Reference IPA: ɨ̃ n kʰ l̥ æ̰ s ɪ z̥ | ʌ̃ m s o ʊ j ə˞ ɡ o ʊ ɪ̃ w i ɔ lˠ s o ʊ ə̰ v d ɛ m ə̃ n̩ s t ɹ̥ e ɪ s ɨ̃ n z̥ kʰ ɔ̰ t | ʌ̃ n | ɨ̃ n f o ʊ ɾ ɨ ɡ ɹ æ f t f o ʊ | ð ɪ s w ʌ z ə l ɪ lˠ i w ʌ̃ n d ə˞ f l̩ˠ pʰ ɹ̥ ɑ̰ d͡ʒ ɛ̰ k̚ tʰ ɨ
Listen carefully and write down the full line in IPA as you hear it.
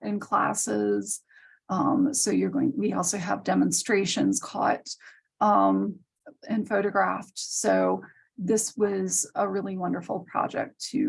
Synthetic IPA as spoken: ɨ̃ n kʰ l̥ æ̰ s ɪ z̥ | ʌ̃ m s o ʊ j ə˞ ɡ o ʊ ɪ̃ w i ɔ lˠ s o ʊ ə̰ v d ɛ m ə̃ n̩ s t ɹ̥ e ɪ ʃ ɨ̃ n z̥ kʰ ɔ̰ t | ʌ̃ m | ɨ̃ n f o ʊ ɾ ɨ ɡ ɹ æ f t s o ʊ | ð ɪ s w ʌ z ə ɹ ɪ lˠ i w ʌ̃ n d ə˞ f l̩ˠ pʰ ɹ̥ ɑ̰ d͡ʒ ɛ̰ k̚ tʰ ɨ